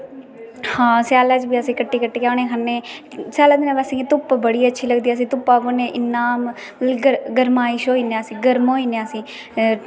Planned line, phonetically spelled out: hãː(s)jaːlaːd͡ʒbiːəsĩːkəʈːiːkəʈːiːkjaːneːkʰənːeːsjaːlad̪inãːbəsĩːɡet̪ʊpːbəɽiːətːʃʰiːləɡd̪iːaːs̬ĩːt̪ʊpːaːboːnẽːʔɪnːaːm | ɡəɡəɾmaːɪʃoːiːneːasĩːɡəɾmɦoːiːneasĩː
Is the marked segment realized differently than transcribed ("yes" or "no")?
no